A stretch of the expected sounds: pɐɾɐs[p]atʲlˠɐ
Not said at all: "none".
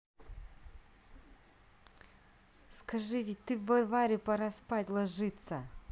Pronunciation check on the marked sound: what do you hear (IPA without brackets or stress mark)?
p